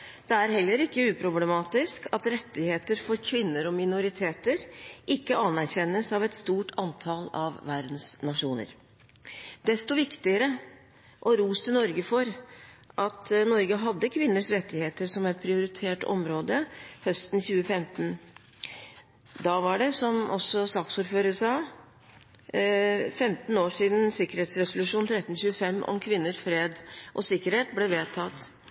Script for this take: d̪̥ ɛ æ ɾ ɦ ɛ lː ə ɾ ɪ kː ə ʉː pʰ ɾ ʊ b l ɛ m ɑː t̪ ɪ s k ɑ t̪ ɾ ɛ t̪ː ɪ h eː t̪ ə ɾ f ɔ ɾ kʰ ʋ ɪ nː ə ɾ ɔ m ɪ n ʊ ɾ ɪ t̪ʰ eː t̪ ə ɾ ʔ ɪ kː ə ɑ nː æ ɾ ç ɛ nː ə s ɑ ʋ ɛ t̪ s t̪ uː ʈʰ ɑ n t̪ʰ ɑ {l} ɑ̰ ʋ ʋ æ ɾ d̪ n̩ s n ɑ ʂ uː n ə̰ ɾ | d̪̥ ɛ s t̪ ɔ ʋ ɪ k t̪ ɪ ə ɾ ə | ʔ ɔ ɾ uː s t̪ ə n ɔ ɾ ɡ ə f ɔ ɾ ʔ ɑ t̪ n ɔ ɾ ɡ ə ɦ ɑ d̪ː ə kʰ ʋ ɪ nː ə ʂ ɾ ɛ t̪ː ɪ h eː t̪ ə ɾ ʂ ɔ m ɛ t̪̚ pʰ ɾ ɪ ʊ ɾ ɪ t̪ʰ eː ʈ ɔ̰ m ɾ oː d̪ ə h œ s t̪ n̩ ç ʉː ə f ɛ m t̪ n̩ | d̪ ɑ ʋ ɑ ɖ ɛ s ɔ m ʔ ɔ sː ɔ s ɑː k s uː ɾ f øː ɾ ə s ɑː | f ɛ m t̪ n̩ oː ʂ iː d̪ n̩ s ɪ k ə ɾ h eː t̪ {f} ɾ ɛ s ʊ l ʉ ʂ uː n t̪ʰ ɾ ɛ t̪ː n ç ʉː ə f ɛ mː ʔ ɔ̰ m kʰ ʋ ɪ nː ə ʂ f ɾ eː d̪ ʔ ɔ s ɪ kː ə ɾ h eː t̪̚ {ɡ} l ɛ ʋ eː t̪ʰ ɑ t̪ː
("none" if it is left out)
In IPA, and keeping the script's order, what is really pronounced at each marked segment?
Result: l, s, b

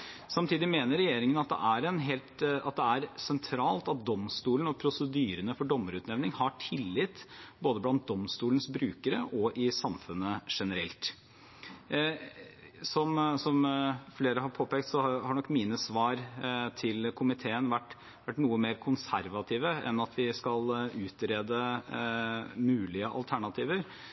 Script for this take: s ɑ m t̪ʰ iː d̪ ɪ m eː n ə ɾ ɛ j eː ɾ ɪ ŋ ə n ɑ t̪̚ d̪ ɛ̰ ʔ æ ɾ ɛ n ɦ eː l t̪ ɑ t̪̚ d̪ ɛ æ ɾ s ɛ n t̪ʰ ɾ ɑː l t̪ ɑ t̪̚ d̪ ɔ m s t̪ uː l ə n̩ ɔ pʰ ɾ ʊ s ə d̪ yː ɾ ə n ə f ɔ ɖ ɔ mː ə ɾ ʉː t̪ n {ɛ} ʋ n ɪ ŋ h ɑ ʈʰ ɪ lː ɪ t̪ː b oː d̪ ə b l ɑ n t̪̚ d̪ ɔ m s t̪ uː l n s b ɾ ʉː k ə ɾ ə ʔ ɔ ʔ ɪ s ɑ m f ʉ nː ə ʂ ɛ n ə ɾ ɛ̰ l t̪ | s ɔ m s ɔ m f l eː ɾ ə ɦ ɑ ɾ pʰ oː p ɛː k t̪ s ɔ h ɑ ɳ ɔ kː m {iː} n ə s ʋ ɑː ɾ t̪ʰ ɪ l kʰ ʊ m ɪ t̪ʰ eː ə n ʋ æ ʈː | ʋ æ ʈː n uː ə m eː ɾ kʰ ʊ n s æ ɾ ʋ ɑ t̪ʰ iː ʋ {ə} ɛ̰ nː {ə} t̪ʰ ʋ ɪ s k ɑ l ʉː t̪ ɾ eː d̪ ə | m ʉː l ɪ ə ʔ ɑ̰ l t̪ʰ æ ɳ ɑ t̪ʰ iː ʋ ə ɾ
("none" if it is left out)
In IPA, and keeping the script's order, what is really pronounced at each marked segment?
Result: ɛ, iː, ə, ɑ

